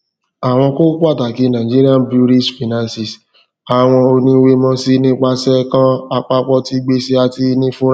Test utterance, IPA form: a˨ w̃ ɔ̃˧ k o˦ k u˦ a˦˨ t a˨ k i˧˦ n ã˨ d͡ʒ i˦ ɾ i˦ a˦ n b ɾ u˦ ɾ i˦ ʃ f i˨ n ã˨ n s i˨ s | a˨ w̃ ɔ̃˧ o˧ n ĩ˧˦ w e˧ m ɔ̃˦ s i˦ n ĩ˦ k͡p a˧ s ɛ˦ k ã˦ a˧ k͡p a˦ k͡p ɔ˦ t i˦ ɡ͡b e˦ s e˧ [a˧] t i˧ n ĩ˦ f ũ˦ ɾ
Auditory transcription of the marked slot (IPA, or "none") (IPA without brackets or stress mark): a˧